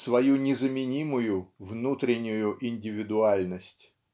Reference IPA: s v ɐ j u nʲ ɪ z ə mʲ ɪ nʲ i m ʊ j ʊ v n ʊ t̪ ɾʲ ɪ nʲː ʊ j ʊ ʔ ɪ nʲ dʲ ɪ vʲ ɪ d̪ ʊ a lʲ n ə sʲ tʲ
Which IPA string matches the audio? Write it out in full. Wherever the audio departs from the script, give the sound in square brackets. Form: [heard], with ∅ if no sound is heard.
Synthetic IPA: s v ɐ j u nʲ ɪ z ə mʲ ɪ nʲ i m ʊ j ʊ v n [u] t̪ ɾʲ ɪ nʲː ʊ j ʊ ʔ ɪ nʲ dʲ ɪ vʲ ɪ d̪ ʊ a lʲ n ə sʲ tʲ